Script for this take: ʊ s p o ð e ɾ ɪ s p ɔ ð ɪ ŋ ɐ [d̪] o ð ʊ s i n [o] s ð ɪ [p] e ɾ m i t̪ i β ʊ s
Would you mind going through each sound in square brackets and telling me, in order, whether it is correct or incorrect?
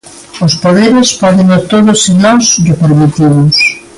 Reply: incorrect, incorrect, correct

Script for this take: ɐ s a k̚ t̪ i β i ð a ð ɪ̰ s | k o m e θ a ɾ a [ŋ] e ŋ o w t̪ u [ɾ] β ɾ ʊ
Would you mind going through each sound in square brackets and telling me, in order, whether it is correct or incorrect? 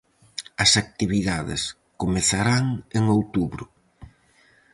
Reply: correct, incorrect

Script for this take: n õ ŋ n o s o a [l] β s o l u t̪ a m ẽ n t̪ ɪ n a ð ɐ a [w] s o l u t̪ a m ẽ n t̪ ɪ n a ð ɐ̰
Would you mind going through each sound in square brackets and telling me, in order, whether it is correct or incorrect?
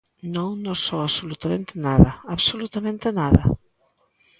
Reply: incorrect, incorrect

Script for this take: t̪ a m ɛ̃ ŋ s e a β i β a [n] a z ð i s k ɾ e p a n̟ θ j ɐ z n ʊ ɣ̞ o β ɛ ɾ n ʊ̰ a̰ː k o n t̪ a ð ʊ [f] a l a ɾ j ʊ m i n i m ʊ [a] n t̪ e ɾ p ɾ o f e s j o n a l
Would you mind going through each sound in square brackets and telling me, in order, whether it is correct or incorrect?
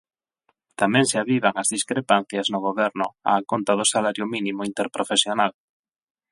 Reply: incorrect, incorrect, incorrect

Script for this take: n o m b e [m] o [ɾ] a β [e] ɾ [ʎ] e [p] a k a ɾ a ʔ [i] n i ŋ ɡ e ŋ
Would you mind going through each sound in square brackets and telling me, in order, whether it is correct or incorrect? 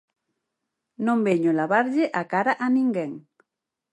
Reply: incorrect, incorrect, incorrect, correct, incorrect, incorrect

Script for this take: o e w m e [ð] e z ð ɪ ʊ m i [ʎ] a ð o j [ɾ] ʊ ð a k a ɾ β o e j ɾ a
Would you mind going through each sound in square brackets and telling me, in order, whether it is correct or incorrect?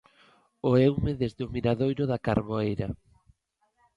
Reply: correct, incorrect, correct

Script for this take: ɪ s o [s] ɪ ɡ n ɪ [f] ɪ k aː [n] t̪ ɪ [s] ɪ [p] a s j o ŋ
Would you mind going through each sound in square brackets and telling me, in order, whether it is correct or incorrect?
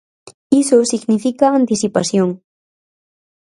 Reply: correct, correct, correct, correct, correct

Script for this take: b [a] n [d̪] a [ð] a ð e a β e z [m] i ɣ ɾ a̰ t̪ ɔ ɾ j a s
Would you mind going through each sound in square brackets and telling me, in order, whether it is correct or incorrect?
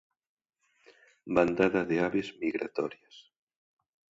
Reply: correct, correct, correct, correct

